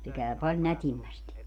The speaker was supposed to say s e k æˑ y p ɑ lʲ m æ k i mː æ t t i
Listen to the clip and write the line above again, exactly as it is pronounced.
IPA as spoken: s e k æˑ y p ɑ lʲ n æ t i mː æ s t i